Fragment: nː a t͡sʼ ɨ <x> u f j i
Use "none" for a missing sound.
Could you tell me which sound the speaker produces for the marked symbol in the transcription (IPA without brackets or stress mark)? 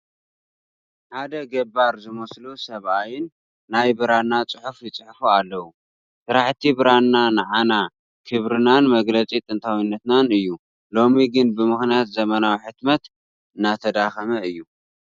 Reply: ħ